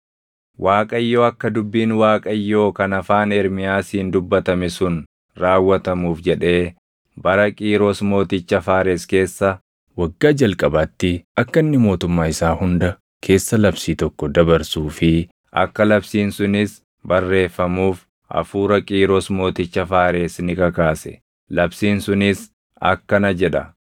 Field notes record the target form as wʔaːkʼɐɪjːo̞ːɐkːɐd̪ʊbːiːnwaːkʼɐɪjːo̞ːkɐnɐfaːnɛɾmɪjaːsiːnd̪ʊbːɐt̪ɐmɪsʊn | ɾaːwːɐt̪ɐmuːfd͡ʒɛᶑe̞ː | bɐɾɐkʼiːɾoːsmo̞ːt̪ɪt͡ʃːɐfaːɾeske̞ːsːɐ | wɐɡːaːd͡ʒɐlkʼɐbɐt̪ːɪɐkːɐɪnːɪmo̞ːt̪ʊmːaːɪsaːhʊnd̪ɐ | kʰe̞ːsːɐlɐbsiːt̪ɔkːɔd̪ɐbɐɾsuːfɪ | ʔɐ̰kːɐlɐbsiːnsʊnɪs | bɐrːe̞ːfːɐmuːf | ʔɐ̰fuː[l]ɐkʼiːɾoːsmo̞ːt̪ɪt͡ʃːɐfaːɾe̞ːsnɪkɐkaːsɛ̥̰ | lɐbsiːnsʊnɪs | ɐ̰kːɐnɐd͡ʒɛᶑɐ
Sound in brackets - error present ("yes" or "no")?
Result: yes